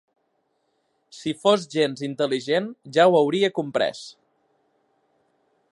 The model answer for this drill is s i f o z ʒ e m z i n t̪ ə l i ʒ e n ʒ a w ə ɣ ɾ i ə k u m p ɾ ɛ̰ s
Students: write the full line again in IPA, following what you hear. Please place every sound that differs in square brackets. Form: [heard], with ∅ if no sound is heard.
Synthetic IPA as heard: s i f o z ʒ e [n] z i n t̪ ə l i ʒ e n ʒ a w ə [w] ɾ i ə k u m p ɾ ɛ̰ s